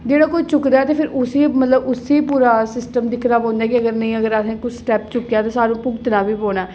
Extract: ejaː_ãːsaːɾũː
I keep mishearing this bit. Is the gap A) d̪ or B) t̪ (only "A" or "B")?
B